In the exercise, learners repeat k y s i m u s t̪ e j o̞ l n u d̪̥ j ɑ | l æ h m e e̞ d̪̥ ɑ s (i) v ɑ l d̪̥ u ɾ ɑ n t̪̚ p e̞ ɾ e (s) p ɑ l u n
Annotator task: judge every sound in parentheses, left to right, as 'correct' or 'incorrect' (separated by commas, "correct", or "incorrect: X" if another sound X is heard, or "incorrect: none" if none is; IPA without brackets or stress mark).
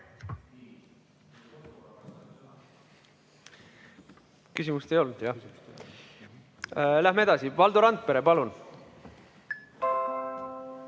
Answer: correct, incorrect: none